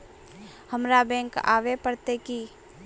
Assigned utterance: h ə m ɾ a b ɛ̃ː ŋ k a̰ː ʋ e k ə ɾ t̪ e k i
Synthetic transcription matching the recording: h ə m ɾ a b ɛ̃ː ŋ k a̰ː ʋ e p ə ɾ t̪ e k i